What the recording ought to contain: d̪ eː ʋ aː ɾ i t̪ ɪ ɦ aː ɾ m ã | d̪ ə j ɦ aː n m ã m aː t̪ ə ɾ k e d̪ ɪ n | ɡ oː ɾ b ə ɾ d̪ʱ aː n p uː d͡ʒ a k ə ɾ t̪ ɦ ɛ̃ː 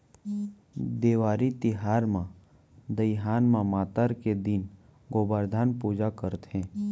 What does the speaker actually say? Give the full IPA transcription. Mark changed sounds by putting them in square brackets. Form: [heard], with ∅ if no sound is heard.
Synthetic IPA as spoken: d̪ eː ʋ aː ɾ i t̪ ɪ ɦ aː ɾ m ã | d̪ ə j ɦ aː n m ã m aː t̪ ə ɾ k e d̪ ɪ n | ɡ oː [∅] b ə ɾ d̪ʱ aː n p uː d͡ʒ a k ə ɾ t̪ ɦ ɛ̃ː